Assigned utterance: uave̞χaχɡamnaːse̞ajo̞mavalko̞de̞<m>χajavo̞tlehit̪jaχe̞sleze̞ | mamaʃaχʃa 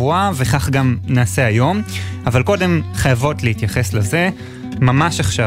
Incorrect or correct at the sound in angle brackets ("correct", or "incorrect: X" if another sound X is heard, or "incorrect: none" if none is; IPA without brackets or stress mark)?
correct